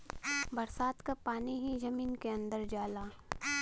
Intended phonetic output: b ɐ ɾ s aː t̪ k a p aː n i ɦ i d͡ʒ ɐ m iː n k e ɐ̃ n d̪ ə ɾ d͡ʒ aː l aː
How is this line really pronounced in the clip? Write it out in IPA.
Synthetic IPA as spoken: b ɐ ɾ s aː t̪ k a p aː n i ɦ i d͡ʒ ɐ m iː n k e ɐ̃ n d̪ ə ɾ d͡ʒ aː l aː